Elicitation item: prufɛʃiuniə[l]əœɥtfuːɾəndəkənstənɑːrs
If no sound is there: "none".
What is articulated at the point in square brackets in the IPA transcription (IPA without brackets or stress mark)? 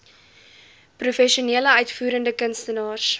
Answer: l